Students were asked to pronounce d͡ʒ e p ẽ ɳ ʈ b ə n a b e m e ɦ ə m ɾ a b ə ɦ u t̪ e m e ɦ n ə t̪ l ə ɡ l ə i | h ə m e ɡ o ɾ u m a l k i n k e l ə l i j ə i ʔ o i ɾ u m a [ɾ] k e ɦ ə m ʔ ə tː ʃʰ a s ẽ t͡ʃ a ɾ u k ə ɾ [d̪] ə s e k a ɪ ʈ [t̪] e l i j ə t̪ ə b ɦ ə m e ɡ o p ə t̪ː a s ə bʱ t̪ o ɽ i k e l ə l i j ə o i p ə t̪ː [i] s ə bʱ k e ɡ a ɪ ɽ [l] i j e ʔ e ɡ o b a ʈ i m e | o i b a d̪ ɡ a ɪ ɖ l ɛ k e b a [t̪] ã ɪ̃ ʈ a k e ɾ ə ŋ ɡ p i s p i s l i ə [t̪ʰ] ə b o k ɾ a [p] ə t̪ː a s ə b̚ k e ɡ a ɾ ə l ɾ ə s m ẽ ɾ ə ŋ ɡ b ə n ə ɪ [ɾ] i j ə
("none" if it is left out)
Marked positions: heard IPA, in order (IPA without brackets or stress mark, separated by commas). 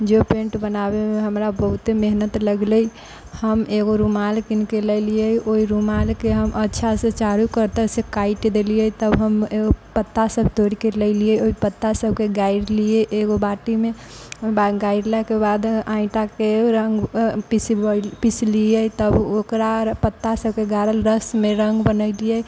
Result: l, t̪, d̪, a, l, d̪, t̪, p, l